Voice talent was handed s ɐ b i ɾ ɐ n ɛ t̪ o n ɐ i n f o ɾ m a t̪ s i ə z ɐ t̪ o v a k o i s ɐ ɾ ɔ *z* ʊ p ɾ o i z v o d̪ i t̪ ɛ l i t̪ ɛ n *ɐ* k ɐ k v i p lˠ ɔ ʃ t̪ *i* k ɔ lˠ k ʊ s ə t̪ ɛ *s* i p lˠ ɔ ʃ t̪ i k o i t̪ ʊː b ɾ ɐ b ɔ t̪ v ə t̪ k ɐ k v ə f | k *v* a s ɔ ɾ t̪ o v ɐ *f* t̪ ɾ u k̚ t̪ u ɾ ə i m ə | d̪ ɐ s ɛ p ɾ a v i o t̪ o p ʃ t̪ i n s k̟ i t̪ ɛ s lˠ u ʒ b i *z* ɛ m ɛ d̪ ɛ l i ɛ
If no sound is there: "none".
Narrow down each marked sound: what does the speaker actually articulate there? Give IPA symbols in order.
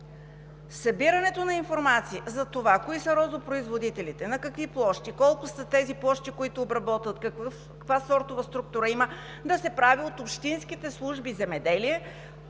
z, ɐ, i, z, v, s, z

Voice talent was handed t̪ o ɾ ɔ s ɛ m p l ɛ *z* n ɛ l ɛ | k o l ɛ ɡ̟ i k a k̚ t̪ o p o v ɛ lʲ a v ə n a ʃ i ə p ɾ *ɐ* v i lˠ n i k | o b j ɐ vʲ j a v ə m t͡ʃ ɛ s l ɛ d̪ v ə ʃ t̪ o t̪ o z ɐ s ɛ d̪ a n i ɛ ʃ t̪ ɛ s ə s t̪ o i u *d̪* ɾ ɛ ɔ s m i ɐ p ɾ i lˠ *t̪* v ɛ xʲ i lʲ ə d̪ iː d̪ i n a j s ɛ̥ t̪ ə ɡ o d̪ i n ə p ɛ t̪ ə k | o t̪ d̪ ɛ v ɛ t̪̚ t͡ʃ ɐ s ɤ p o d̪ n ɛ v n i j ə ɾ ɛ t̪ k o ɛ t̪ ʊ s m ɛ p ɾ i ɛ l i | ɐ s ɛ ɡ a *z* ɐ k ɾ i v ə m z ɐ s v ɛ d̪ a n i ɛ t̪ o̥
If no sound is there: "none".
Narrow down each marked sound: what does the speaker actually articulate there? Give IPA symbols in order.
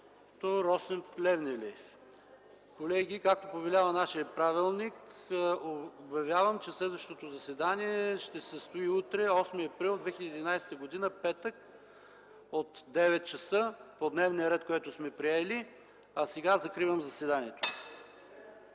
v, a, t̪, d̪, z

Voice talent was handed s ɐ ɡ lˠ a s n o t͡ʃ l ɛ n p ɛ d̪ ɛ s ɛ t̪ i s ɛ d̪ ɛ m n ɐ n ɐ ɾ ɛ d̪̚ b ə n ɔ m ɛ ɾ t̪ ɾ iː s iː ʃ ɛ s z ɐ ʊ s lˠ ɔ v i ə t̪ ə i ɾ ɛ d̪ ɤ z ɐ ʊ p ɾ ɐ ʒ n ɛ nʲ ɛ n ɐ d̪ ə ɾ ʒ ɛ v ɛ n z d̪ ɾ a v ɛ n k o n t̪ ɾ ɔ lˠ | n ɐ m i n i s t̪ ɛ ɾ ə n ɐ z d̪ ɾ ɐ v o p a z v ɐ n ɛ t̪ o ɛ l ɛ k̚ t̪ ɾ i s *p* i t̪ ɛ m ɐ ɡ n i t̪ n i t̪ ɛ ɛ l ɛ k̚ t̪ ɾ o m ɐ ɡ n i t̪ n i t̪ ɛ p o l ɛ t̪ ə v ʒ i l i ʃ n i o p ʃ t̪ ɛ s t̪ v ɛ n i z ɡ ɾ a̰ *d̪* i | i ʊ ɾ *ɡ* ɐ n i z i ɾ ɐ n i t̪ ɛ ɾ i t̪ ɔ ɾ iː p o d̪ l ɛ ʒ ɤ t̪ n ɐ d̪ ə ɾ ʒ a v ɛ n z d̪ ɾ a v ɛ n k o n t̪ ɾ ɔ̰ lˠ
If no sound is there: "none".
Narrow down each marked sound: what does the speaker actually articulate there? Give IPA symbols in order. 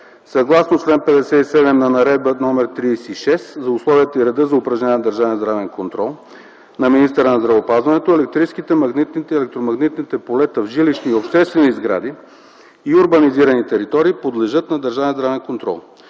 k, d̪, b

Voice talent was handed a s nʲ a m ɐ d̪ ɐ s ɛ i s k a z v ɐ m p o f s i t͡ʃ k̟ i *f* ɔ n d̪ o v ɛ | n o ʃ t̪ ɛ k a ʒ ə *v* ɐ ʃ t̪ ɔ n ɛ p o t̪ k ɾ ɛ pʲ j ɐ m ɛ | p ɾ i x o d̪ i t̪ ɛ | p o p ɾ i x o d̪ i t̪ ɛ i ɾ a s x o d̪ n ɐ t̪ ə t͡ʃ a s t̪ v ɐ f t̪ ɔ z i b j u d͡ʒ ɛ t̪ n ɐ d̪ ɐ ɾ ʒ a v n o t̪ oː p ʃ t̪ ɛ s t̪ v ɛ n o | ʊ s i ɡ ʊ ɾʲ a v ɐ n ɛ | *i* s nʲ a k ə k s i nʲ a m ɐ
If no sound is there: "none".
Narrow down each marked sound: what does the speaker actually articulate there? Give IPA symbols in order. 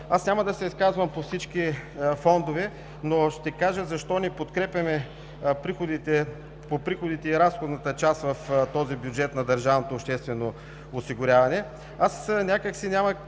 f, z, a

